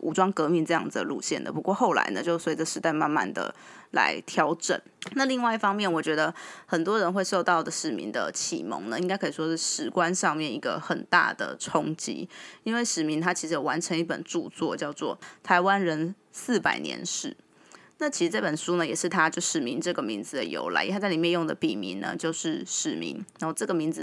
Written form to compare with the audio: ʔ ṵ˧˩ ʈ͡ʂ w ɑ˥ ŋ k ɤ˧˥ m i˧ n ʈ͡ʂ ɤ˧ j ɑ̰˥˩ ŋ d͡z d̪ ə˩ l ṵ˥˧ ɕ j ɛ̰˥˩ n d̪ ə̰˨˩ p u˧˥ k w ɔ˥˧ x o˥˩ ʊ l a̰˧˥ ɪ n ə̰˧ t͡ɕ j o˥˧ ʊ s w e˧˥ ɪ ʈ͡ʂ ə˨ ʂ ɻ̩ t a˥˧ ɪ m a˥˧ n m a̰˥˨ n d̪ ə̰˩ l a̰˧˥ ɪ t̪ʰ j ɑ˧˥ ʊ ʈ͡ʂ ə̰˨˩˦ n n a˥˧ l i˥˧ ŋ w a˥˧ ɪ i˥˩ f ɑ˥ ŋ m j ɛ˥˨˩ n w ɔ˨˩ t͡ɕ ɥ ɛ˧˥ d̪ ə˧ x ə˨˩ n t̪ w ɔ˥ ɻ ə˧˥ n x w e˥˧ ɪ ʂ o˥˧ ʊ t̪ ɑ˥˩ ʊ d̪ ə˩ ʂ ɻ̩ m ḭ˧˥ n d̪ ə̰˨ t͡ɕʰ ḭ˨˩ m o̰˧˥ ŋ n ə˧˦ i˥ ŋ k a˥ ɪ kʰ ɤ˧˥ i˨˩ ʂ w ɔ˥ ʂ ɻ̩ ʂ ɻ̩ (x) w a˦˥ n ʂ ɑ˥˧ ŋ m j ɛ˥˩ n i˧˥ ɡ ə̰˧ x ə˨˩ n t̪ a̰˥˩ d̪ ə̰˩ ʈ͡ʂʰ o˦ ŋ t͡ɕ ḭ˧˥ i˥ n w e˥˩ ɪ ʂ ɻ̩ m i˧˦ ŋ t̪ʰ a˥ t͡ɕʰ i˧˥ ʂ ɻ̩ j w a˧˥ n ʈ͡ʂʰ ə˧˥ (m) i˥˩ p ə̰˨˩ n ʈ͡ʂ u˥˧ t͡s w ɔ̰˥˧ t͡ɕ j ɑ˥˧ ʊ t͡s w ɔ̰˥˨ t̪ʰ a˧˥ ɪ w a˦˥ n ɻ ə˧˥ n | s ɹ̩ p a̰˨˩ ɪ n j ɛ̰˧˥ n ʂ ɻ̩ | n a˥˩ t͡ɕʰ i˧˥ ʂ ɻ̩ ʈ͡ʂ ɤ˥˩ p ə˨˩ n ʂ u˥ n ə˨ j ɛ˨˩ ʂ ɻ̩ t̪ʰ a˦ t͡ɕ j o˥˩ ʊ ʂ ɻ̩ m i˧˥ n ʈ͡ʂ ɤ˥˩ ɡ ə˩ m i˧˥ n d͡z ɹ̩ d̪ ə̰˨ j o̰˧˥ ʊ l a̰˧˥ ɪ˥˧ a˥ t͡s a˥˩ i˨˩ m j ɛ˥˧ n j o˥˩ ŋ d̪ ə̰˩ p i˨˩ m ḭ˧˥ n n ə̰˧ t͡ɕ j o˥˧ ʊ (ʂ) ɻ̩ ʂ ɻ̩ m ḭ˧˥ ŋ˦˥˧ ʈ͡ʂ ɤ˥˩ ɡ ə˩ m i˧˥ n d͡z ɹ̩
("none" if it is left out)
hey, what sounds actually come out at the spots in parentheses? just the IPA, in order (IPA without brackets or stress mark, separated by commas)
k, ŋ, ʂ